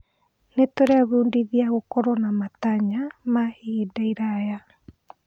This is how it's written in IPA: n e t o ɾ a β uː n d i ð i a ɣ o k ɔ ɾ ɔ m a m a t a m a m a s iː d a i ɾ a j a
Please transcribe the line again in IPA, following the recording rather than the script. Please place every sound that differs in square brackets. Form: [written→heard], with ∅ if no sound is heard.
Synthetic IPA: n e t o ɾ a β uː n d i ð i a ɣ o k ɔ ɾ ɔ [m→n] a m a t a [m→ɲ] a m a [s→h] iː d a i ɾ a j a

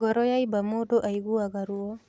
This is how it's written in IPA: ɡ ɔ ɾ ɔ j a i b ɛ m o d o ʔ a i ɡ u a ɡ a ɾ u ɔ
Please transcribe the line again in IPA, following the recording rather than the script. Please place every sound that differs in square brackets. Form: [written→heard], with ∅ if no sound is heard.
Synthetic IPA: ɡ ɔ ɾ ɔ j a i b [ɛ→a] m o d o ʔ a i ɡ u a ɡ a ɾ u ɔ

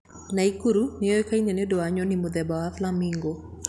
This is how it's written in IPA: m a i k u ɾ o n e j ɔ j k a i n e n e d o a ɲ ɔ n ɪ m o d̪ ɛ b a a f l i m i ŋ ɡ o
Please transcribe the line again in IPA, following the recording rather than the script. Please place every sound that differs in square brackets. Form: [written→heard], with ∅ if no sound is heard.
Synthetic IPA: [m→n] a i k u ɾ [o→u] n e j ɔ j k a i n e n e d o a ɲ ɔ n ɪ m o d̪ ɛ b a a f l [i→a] m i ŋ ɡ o

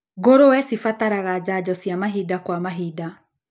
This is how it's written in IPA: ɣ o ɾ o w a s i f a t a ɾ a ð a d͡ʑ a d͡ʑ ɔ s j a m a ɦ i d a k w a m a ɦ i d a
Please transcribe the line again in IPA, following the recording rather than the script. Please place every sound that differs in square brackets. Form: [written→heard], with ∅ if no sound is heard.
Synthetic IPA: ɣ o ɾ o w [a→ɛ] s i f a t a ɾ a [ð→ɣ] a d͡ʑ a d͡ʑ ɔ s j a m a ɦ i d a k w a m a ɦ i d a

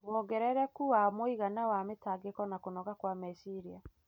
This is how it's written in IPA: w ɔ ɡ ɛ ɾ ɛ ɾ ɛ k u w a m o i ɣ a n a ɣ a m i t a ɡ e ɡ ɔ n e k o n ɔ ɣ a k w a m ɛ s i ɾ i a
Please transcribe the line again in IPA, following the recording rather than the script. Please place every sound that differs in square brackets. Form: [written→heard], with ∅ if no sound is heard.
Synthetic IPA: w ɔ ɡ ɛ ɾ ɛ ɾ ɛ k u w a m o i ɣ a n a [ɣ→w] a m [i→e] t a ɡ e [ɡ→k] ɔ n [e→a] k o n ɔ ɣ a k w a m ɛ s i ɾ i a

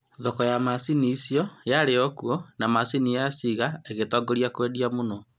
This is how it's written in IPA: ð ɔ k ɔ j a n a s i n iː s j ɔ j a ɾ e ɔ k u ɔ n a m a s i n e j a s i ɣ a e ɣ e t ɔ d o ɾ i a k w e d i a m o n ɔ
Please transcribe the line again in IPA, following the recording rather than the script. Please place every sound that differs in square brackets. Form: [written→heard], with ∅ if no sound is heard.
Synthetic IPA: ð ɔ k ɔ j a [n→m] a s i n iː s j ɔ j a ɾ e ɔ k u ɔ n a m a s i n [e→i] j a s i ɣ a e ɣ e t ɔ [d→ɡ] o ɾ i a k w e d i a m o n ɔ

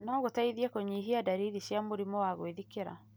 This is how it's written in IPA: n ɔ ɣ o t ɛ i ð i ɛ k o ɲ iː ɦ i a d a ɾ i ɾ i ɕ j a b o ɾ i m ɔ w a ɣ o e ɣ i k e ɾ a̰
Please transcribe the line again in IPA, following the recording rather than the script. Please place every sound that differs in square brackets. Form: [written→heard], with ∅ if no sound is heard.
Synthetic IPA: n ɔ ɣ o t [ɛ→a] i ð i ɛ k o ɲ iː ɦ i a d a ɾ i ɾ i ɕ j a [b→m] o ɾ i m ɔ w a ɣ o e [ɣ→ð] i k e ɾ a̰

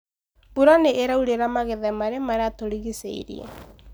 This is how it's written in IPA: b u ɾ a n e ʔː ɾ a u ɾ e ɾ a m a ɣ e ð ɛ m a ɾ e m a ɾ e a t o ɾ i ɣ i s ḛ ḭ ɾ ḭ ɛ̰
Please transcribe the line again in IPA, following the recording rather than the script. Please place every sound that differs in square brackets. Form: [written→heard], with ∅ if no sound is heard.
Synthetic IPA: b u ɾ a n e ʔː ɾ a u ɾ e ɾ a m a ɣ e ð ɛ m a ɾ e m a ɾ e a t o ɾ i ɣ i s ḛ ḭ ɾ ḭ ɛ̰

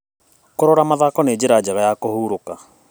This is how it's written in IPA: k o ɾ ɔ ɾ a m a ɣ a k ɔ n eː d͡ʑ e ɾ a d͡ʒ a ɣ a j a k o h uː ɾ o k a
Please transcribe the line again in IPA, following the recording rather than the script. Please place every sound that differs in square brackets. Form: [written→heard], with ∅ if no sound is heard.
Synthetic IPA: k o ɾ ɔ ɾ a m a [ɣ→ð] a k ɔ n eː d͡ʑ e ɾ a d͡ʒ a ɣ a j a k o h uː ɾ o k a

